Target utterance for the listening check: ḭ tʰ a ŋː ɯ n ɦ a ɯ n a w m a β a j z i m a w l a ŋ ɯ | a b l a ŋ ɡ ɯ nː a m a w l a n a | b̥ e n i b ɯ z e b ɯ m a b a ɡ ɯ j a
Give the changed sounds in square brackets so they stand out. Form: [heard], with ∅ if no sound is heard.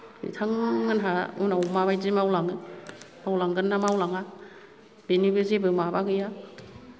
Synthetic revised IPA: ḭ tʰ a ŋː ɯ n ɦ a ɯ n a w m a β a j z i m a w l a ŋ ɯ | a [w] l a ŋ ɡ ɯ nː a m a w l a [ŋ] a | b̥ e n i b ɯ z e b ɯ m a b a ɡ ɯ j a